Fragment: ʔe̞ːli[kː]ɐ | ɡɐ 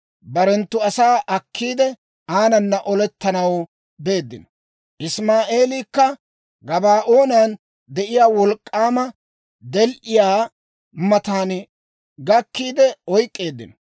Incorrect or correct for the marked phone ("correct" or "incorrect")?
correct